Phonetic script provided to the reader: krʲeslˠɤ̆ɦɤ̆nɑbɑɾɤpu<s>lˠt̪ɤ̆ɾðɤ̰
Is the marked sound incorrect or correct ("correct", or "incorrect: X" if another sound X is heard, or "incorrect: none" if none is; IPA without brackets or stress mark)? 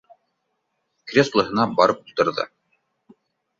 incorrect: none